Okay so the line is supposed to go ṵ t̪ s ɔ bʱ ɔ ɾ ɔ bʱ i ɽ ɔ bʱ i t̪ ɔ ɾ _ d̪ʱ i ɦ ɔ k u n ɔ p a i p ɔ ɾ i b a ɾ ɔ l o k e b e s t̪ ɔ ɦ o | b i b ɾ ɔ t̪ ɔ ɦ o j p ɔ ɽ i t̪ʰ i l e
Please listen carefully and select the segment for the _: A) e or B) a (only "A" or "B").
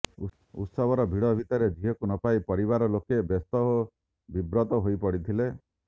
A